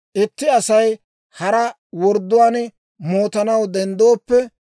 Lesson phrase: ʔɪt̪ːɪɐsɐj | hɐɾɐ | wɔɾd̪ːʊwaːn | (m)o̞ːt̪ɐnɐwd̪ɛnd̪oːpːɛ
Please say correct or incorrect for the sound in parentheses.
correct